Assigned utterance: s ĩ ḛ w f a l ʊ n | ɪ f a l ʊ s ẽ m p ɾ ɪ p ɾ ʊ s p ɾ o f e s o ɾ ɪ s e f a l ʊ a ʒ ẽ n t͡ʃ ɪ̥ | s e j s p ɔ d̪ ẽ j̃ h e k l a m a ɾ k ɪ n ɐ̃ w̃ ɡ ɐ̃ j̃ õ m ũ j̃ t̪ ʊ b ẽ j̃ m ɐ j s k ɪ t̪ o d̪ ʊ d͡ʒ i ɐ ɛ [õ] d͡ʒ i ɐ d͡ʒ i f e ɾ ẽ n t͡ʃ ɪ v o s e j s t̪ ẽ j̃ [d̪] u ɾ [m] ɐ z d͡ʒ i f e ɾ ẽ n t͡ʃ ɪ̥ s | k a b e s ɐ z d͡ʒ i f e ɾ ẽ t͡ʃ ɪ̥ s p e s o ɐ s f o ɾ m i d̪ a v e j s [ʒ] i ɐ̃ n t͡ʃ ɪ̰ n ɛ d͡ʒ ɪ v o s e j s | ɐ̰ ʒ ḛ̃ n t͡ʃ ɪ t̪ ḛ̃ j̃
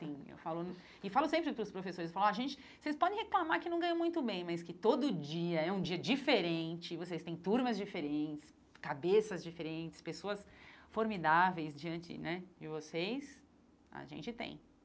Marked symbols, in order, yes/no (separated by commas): no, no, yes, no